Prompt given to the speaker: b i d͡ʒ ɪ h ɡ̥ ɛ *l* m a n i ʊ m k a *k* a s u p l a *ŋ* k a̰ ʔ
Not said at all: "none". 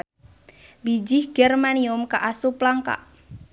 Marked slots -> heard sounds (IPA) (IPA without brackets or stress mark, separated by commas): r, ʔ, ŋ